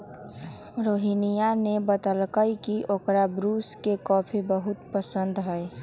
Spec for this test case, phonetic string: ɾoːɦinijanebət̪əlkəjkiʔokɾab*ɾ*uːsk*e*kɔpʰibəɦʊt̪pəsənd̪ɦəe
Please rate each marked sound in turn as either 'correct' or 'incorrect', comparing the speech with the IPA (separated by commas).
correct, correct